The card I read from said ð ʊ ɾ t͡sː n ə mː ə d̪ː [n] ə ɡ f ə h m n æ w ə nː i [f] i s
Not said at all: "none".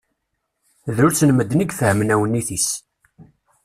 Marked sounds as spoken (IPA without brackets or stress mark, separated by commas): n, θ